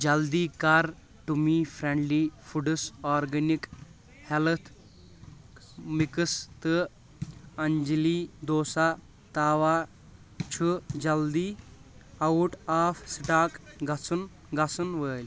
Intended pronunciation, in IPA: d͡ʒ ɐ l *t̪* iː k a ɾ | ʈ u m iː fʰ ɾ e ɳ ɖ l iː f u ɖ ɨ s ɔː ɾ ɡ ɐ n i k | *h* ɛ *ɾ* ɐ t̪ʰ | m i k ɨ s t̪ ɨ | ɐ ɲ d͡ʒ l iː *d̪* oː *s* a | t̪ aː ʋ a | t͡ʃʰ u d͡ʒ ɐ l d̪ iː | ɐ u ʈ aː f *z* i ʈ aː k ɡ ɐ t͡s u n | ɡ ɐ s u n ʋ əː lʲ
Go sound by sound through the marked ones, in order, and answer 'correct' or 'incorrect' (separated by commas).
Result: incorrect, correct, incorrect, correct, correct, incorrect